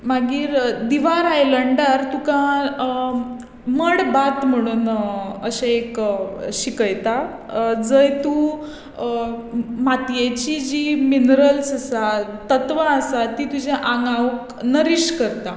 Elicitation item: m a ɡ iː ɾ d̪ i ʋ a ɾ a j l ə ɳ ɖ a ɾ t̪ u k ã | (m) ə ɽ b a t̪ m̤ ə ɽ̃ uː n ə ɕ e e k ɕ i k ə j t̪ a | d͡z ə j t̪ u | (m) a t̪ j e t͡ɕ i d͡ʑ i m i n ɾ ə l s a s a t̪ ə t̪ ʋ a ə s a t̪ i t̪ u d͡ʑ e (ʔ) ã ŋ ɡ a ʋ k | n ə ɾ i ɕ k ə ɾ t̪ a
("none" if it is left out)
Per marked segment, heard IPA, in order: m, m, ʔ

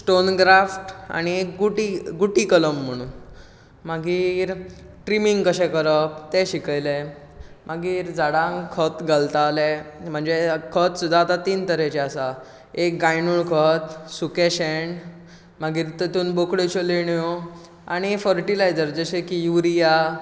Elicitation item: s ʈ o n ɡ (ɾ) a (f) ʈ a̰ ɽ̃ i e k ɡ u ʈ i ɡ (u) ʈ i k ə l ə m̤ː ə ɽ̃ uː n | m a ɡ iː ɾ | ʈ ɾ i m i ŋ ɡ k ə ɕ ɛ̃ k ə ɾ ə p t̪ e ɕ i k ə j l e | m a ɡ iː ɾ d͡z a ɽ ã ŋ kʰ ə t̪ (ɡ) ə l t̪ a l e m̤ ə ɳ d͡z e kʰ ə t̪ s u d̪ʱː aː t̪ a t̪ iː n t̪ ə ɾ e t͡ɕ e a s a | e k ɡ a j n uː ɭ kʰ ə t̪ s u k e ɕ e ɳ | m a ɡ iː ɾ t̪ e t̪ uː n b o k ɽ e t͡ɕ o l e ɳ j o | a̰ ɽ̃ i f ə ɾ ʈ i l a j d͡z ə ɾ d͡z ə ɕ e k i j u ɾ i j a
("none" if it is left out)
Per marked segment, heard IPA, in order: ɾ, f, u, ɡ

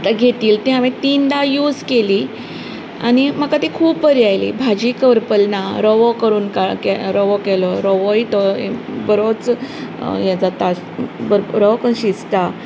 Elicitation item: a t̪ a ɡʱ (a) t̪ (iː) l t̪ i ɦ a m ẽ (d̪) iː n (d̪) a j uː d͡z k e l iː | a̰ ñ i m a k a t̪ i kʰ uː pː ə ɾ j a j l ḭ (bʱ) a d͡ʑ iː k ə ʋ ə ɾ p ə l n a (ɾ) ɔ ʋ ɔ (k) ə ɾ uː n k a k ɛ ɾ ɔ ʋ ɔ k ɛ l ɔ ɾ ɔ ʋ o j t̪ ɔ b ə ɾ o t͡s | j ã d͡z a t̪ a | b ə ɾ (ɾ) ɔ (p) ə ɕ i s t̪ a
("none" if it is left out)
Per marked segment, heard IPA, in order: e, iː, t̪, d̪, bʱ, ɾ, k, ɾ, k

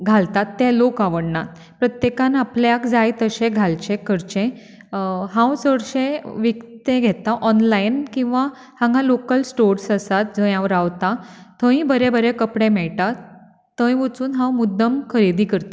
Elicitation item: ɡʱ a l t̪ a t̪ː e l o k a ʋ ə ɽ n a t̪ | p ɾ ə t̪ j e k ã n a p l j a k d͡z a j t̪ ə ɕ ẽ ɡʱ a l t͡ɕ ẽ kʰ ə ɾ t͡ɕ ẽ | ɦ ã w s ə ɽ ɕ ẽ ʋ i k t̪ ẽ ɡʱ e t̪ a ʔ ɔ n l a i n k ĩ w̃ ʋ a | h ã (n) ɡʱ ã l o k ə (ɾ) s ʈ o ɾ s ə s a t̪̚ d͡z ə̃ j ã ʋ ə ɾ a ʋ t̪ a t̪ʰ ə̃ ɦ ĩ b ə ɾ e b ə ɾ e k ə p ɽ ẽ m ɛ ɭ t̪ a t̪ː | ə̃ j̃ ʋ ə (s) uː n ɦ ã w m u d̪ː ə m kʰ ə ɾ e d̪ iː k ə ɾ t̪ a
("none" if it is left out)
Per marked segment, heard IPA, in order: ŋ, l, t͡s

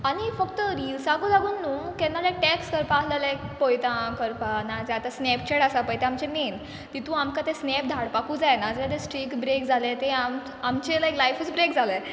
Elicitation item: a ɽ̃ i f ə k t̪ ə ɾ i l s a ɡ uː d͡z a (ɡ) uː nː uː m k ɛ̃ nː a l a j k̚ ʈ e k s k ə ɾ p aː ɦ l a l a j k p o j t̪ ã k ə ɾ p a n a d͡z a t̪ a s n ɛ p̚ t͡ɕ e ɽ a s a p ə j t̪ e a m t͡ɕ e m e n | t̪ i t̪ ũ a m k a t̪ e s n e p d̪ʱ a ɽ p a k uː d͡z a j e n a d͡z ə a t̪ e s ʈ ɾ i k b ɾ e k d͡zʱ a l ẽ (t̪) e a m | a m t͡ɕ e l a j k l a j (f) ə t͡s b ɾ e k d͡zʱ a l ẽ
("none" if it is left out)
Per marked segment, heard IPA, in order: ɡ, t̪, f

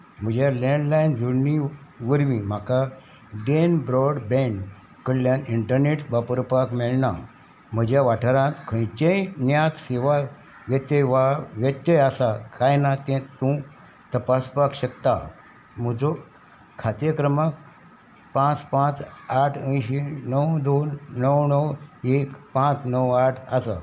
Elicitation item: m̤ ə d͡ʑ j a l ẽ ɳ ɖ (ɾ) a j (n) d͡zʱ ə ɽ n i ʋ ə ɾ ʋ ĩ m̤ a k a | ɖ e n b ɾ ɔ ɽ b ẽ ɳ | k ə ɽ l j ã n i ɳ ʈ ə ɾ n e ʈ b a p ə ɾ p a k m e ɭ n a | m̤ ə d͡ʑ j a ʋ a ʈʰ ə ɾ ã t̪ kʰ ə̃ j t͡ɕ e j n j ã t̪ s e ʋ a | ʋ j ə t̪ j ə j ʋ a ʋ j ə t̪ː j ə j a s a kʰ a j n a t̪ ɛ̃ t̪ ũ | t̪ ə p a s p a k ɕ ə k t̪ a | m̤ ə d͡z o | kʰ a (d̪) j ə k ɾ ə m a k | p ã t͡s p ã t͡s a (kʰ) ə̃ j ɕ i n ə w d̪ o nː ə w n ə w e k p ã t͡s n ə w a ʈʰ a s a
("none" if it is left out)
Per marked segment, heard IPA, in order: l, n, t̪, ʈʰ

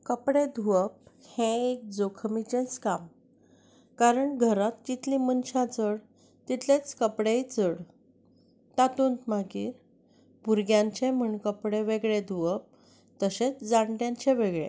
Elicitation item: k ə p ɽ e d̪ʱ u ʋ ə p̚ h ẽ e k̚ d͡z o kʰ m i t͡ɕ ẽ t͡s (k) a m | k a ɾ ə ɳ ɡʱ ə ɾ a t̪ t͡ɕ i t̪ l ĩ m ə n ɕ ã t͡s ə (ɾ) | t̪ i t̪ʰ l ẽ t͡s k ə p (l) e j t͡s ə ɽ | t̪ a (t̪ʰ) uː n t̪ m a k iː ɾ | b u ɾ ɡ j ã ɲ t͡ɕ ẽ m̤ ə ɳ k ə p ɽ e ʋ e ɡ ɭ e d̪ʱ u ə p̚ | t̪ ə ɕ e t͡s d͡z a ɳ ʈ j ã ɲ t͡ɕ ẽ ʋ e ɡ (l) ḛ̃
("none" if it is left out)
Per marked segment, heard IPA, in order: k, ɽ, ɽ, t̪, ɭ

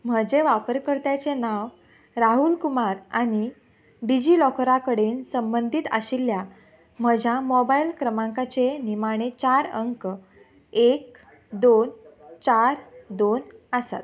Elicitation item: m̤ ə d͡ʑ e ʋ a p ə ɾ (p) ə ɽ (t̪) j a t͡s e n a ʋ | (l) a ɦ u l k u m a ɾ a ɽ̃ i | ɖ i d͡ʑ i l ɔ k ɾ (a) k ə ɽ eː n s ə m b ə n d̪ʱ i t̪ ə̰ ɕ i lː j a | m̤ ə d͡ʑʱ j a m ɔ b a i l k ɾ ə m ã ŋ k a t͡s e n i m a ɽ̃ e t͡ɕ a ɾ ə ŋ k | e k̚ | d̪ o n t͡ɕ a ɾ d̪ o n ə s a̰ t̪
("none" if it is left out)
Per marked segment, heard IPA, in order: k, t̪, ɾ, a

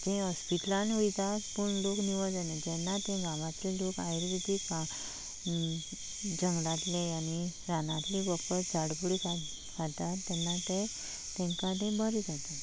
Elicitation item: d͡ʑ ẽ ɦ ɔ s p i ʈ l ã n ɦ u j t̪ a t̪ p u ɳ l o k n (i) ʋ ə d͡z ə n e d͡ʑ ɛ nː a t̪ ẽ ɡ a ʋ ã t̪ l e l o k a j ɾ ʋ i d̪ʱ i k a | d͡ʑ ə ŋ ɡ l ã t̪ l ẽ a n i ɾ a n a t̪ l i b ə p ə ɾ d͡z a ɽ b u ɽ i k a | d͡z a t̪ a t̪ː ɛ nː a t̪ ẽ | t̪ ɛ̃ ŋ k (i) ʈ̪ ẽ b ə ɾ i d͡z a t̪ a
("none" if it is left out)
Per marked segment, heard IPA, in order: i, a

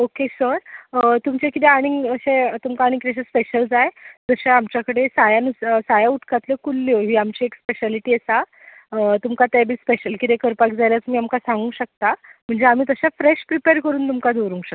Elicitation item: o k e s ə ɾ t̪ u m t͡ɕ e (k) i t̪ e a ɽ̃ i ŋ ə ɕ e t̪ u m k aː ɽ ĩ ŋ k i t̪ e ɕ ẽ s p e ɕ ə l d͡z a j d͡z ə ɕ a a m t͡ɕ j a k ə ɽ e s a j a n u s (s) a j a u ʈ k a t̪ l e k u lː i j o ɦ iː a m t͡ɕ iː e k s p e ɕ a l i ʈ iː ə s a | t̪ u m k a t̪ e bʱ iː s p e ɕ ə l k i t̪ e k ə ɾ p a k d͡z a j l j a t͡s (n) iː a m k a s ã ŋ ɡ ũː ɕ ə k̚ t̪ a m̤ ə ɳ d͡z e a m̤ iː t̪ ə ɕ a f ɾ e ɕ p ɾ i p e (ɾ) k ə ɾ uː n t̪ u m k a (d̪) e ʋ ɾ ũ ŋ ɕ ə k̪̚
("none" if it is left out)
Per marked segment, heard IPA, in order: k, s, m, ɾ, d̪

